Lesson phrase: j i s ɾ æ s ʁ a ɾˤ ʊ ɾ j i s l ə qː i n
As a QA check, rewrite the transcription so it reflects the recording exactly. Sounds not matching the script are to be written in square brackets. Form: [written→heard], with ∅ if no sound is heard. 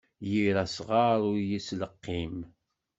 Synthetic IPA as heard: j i [s→∅] ɾ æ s ʁ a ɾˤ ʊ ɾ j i s l ə qː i [n→m]